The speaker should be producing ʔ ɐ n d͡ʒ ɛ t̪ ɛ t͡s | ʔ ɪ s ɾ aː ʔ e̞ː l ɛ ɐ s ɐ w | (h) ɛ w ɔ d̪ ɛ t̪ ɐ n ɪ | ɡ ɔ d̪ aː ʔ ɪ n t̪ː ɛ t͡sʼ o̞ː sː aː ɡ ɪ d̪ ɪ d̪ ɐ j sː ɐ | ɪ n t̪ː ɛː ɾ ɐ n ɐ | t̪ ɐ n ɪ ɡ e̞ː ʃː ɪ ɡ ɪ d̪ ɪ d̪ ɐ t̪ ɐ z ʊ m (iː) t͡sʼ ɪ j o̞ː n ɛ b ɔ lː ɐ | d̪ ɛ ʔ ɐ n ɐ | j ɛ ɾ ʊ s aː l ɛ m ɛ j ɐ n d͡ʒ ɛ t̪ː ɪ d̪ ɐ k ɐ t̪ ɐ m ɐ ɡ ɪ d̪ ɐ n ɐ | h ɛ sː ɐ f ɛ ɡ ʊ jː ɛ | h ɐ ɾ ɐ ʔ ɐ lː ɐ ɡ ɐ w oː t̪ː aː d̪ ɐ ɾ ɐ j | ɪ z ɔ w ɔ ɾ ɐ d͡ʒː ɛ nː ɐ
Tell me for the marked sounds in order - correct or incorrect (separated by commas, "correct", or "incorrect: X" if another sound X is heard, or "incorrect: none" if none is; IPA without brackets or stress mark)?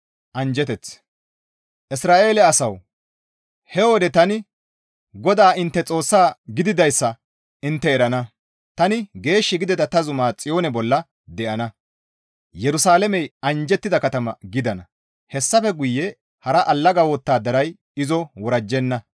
correct, incorrect: aː